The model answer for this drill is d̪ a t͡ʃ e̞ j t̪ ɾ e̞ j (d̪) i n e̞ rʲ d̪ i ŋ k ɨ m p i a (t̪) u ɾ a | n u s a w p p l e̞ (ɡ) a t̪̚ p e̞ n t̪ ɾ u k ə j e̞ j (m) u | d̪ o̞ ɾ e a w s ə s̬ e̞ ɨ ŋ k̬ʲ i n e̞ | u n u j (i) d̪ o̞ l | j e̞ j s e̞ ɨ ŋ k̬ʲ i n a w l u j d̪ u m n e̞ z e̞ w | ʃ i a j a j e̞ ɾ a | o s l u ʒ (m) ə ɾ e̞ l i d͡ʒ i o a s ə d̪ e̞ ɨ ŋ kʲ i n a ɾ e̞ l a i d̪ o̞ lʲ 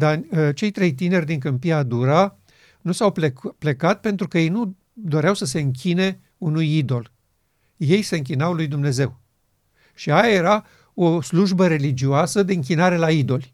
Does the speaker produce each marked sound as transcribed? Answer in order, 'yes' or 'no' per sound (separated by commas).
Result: no, no, no, no, yes, no